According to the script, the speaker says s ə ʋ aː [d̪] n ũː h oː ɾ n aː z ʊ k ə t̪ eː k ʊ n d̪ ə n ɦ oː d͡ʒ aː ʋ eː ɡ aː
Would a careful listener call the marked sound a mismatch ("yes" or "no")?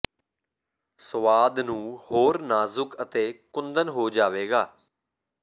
no